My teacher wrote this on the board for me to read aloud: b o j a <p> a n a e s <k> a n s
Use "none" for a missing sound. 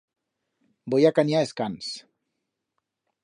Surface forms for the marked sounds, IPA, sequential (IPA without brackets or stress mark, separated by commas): k, k